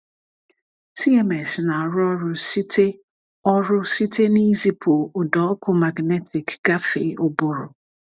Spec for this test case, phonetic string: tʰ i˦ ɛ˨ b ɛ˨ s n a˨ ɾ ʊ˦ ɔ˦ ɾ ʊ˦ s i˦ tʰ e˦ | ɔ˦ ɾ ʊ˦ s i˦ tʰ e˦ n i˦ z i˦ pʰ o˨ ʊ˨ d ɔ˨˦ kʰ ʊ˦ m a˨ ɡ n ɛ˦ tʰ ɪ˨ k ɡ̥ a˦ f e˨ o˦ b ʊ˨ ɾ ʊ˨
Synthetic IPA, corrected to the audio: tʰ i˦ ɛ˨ m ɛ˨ s n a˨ ɾ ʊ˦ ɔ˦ ɾ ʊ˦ s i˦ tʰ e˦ | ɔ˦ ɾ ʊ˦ s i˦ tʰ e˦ n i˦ z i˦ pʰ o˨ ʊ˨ d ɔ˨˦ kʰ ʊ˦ m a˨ ɡ n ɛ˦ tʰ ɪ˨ k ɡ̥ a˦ f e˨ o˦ b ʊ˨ ɾ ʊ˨